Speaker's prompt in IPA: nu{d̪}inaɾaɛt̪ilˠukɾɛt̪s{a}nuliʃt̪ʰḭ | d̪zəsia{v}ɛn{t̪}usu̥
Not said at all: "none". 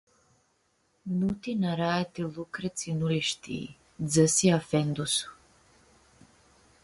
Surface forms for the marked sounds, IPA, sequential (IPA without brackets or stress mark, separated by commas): t̪, i, f, d̪